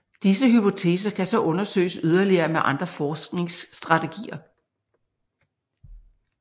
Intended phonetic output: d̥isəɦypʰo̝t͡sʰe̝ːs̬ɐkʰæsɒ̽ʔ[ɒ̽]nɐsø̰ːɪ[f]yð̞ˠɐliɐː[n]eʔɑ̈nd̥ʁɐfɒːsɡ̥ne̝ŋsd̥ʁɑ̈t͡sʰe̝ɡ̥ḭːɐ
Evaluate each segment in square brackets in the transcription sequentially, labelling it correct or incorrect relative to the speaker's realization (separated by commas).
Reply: incorrect, incorrect, incorrect